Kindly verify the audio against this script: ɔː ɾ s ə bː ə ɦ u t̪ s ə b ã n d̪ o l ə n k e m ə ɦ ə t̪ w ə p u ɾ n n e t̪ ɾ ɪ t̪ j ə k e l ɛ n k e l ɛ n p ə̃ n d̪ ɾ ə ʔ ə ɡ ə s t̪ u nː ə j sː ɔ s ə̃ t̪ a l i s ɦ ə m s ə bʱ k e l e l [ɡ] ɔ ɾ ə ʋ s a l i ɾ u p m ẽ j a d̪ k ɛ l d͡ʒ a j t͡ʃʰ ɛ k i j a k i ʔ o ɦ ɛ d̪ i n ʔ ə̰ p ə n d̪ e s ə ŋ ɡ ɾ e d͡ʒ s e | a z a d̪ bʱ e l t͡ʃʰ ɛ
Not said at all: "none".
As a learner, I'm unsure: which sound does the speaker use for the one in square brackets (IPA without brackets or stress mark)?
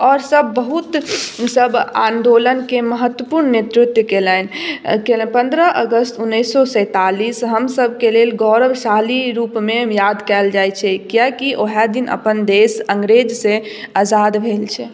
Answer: ɡ